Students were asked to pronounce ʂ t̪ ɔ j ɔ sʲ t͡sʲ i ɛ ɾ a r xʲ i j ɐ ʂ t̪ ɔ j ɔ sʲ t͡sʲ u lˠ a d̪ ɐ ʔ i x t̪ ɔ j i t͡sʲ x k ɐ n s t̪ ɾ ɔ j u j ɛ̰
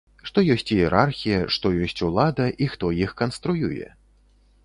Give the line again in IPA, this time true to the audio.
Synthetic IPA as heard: ʂ t̪ ɔ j ɔ sʲ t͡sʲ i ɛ ɾ a r xʲ i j ɐ ʂ t̪ ɔ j ɔ sʲ t͡sʲ u lˠ a d̪ ɐ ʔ i x t̪ ɔ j i x k ɐ n s t̪ ɾ u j u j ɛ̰